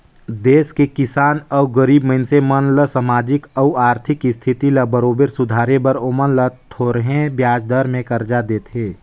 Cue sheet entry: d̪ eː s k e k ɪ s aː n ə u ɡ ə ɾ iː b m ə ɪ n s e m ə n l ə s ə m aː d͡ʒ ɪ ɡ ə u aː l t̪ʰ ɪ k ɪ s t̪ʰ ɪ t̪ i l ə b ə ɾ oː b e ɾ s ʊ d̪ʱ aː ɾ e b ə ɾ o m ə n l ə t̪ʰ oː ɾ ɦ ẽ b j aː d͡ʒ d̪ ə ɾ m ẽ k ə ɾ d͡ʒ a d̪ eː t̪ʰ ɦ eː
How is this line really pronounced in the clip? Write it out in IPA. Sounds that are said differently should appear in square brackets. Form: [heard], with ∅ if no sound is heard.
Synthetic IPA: d̪ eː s k e k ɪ s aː n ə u ɡ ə ɾ iː b m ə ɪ n s e m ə n l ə s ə m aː d͡ʒ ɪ [k] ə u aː [ɾ] t̪ʰ ɪ k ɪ s t̪ʰ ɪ t̪ i l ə b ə ɾ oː b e ɾ s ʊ d̪ʱ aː ɾ e b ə ɾ o m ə n l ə t̪ʰ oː ɾ ɦ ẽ b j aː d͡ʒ d̪ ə ɾ m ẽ k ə ɾ d͡ʒ a d̪ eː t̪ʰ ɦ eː